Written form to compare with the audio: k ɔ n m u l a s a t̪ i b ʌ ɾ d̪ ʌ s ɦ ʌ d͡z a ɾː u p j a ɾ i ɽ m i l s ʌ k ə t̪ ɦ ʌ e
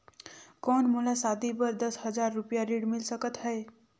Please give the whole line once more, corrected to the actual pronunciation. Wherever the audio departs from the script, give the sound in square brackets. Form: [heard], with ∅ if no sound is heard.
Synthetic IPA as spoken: k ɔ n m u l a s a [d̪] i b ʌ ɾ d̪ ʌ s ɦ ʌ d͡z a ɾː u p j a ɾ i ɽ m i l s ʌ k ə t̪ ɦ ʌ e